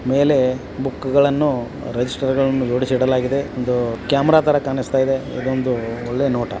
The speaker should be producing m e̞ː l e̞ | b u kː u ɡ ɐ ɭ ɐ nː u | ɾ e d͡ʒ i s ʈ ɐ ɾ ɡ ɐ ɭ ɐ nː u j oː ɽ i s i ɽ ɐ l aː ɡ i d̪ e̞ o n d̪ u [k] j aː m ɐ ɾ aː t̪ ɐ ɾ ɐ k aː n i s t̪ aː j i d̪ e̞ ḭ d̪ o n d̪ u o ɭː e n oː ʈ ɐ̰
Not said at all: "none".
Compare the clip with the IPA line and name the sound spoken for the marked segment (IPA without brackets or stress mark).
k